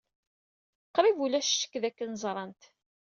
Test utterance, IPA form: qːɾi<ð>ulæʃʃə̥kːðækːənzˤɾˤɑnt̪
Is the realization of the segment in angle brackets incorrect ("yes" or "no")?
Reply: yes